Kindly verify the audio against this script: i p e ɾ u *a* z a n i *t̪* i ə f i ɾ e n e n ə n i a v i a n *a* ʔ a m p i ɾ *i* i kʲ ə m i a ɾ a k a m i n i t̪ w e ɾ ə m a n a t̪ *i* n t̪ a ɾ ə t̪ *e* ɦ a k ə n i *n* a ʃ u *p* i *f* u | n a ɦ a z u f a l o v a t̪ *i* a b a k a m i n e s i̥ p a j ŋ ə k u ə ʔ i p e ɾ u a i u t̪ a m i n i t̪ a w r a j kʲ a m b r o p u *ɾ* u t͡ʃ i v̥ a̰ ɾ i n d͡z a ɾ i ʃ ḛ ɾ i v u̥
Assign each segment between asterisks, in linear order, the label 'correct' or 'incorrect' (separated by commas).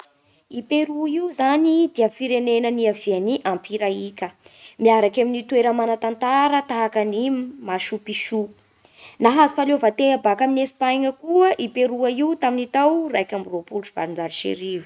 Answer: incorrect, incorrect, incorrect, incorrect, incorrect, incorrect, incorrect, correct, incorrect, incorrect, incorrect